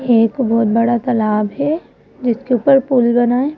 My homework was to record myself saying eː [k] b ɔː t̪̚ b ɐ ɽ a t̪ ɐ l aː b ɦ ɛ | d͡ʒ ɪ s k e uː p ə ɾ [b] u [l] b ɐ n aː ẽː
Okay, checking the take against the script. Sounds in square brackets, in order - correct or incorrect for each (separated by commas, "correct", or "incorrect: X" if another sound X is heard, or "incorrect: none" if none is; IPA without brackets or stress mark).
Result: correct, incorrect: p, correct